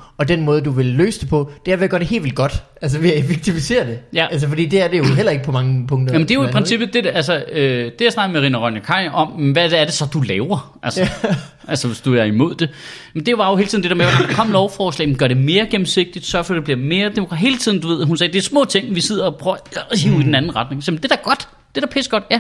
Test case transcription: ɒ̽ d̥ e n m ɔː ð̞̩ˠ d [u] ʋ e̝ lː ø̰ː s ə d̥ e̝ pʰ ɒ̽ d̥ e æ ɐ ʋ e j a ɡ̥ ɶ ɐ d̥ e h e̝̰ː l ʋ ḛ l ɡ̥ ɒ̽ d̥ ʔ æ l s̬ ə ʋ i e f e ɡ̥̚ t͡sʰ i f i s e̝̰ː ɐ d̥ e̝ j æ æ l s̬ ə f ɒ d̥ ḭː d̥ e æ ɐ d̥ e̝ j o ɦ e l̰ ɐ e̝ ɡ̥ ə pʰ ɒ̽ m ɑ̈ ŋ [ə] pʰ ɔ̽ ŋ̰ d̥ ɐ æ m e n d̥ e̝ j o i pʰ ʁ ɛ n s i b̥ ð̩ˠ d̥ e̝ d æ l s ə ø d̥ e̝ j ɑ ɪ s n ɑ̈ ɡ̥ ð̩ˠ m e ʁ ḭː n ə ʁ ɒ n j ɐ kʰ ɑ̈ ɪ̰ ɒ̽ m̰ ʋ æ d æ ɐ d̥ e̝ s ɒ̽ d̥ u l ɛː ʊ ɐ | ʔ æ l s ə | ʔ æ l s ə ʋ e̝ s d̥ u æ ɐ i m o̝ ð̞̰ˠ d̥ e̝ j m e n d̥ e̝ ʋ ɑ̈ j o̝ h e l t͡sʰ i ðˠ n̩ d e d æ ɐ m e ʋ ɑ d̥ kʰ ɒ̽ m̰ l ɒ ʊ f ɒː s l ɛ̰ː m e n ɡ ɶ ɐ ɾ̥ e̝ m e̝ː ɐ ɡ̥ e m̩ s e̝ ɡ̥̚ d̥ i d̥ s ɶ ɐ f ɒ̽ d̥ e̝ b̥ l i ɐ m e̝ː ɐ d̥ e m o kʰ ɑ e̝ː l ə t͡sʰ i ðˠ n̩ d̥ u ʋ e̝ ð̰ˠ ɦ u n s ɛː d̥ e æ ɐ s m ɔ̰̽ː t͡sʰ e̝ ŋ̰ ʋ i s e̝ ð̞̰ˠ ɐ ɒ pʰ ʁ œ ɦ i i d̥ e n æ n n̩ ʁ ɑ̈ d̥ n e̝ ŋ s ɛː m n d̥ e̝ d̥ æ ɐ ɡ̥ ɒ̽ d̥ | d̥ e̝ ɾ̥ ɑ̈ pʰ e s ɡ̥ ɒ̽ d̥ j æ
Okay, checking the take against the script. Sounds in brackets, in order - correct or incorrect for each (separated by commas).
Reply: correct, correct